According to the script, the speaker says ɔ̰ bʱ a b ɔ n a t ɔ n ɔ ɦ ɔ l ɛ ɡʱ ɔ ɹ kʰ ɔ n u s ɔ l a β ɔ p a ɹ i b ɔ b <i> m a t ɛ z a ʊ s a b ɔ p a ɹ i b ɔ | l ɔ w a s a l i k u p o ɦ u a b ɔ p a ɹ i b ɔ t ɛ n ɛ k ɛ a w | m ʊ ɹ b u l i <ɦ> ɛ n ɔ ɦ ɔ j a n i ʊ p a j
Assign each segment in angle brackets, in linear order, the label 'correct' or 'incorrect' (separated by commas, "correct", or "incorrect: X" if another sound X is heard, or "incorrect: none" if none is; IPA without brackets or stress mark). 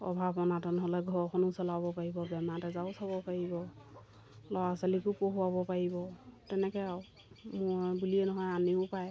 incorrect: ɛ, incorrect: none